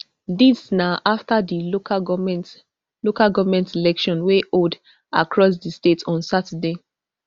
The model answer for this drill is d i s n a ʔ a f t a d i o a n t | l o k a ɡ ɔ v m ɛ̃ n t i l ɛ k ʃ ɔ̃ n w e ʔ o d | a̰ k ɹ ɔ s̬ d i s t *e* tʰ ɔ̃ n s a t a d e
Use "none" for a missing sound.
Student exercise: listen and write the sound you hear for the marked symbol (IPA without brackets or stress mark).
e